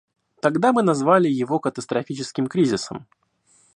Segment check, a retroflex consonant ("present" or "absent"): absent